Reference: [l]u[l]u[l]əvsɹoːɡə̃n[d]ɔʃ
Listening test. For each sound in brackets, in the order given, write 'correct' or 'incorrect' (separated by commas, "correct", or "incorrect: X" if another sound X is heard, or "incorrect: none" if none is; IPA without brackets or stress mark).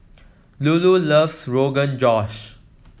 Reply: correct, correct, correct, incorrect: d͡ʒ